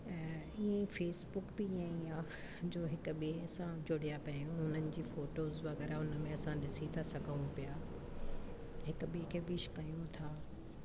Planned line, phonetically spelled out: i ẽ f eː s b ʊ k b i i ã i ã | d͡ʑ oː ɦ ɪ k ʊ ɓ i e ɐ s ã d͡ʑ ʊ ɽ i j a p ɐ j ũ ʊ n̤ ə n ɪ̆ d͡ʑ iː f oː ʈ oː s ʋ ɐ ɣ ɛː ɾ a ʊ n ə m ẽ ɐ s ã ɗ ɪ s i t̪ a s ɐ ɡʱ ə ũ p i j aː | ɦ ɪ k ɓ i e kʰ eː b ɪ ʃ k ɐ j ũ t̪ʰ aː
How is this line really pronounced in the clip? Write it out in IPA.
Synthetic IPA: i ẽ f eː s b ʊ k b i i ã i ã | d͡ʑ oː ɦ ɪ k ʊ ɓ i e ɐ s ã d͡ʑ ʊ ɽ i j a p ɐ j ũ ʊ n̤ ə n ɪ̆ d͡ʑ iː f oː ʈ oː z ʋ ɐ ɣ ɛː ɾ a ʊ n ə m ẽ ɐ s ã ɗ ɪ s i t̪ʰ a s ɐ ɡʱ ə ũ p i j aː | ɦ ɪ k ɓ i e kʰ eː b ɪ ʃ k ɐ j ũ t̪ʰ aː